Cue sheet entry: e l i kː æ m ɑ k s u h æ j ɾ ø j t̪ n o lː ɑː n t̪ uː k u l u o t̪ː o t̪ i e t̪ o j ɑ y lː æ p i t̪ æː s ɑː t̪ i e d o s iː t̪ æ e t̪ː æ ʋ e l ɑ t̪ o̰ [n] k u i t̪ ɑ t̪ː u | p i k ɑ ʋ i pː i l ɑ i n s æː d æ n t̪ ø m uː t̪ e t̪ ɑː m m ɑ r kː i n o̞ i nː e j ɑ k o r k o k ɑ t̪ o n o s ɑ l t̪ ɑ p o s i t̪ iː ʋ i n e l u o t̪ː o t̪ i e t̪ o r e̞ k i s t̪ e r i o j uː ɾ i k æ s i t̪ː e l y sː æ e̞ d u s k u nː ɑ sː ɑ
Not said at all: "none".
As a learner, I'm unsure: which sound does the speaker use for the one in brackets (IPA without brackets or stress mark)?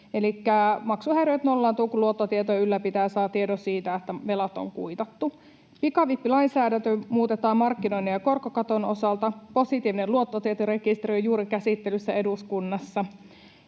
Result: ŋ